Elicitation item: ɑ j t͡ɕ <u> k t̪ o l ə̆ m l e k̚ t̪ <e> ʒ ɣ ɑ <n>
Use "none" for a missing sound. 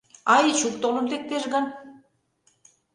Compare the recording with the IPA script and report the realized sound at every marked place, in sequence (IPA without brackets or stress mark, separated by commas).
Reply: u, e, n